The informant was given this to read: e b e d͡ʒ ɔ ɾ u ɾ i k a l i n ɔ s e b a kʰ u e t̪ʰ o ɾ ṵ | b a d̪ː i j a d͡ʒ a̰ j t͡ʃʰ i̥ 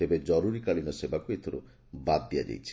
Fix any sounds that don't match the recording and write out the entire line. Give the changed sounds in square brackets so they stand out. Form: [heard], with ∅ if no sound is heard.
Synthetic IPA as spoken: e b e d͡ʒ ɔ ɾ u ɾ i k a l i n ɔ s e b a [k] u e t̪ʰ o ɾ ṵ | b a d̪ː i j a d͡ʒ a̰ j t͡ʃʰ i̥